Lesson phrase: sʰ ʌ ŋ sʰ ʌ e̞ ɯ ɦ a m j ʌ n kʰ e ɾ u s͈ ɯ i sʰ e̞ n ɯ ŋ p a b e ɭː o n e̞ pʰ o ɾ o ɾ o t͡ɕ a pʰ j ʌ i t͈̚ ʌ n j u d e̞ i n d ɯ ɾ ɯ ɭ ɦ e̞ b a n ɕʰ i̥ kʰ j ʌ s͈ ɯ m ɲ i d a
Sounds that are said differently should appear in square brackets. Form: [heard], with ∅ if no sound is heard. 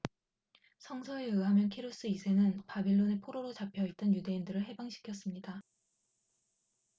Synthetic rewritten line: sʰ ʌ ŋ sʰ ʌ e̞ ɯ ɦ a m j ʌ n kʰ e ɾ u s͈ ɯ i sʰ e̞ n ɯ [n] p a b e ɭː o n e̞ pʰ o ɾ o ɾ o t͡ɕ a pʰ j ʌ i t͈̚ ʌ n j u d e̞ i n d ɯ ɾ ɯ ɭ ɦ e̞ b a [ŋ] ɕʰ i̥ kʰ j ʌ s͈ ɯ m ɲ i d a